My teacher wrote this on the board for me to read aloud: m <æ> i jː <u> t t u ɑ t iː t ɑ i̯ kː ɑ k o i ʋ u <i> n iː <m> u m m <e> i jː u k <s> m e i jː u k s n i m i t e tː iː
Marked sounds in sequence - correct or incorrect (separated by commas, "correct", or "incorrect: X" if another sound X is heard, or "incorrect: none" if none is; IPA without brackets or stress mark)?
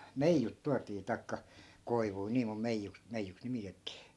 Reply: incorrect: e, correct, correct, correct, correct, correct